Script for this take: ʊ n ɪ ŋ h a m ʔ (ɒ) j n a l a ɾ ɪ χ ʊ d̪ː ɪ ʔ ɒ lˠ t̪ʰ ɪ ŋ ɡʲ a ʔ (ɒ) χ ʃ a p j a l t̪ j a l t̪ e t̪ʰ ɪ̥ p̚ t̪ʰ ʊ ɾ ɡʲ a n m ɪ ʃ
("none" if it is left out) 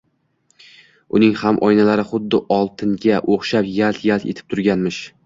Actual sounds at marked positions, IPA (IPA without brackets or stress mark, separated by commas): ɒ, o